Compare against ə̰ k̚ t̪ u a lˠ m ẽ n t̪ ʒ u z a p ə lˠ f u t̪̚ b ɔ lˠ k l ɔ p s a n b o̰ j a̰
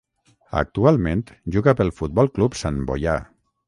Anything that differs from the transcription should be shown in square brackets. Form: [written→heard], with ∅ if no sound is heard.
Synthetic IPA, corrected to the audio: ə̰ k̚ t̪ u a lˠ m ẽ n t̪ ʒ u [z→ɣ] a p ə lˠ f u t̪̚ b ɔ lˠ k l [ɔ→u] p s a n b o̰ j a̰